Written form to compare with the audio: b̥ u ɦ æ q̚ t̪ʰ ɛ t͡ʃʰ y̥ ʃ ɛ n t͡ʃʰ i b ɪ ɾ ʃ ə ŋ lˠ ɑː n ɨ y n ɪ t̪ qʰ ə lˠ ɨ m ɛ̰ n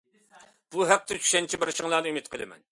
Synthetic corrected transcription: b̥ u ɦ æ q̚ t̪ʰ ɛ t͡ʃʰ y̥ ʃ ɛ n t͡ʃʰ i b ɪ ɾ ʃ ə ŋ lˠ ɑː n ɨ y m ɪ t̪ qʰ ə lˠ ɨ m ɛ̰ n